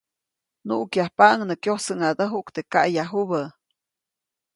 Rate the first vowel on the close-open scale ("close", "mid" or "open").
close